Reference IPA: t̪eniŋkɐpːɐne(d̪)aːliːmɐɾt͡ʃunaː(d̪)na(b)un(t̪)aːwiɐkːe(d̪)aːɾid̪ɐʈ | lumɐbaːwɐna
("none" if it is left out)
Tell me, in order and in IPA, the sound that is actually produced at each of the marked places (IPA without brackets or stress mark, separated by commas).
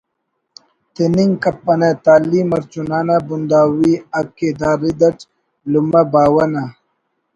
t̪, none, b, d̪, d̪